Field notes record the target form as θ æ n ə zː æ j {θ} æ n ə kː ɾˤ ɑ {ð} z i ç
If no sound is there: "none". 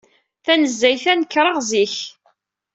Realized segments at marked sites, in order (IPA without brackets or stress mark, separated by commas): θ, ʁ